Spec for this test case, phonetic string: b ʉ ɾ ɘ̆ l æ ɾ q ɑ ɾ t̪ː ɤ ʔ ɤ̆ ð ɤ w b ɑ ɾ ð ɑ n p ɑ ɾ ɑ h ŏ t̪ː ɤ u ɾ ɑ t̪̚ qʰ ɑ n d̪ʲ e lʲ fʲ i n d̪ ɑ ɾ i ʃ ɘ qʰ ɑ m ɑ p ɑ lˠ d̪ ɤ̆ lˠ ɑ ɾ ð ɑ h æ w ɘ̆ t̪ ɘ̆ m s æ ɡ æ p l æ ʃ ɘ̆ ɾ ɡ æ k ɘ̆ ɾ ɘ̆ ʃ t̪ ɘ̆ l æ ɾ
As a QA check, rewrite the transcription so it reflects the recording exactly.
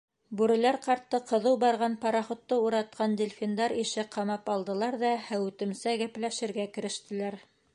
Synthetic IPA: b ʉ ɾ ɘ̆ l æ ɾ q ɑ ɾ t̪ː ɤ q ɤ̆ ð ɤ w b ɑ ɾ ʁ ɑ n p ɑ ɾ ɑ χ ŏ t̪ː ɤ u ɾ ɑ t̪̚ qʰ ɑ n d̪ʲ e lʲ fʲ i n d̪ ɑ ɾ i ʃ ɘ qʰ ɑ m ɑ p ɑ lˠ d̪ ɤ̆ lˠ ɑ ɾ ð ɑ h æ w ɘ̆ t̪ ɘ̆ m s æ ɡ æ p l æ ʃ ɘ̆ ɾ ɡ æ k ɘ̆ ɾ ɘ̆ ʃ t̪ ɘ̆ l æ ɾ